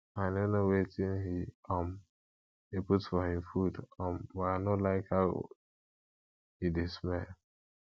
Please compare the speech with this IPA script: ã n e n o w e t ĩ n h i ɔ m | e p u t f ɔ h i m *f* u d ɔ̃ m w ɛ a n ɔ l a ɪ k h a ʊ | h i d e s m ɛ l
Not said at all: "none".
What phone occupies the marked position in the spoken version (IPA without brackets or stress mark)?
f